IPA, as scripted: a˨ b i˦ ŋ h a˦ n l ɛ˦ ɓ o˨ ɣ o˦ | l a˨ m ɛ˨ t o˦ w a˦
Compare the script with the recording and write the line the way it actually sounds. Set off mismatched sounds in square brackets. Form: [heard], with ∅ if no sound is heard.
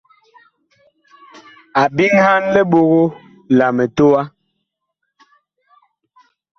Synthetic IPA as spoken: a˨ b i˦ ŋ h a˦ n l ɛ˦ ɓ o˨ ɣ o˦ | l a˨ m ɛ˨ t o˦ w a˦